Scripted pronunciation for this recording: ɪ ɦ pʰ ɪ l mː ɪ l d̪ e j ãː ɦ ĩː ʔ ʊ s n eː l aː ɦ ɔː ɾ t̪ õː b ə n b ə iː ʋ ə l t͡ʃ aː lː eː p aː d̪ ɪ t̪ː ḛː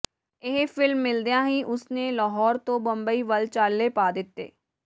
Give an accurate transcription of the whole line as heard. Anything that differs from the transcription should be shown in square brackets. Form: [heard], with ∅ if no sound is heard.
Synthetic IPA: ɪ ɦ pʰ ɪ l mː ɪ l d̪ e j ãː ɦ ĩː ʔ ʊ s n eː l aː ɦ ɔː ɾ t̪ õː b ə [m] b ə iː ʋ ə l t͡ʃ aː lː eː p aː d̪ ɪ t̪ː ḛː